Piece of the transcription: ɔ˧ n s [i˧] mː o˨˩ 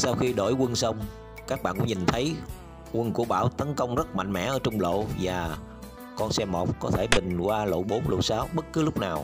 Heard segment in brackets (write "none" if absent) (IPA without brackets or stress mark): ɛ˧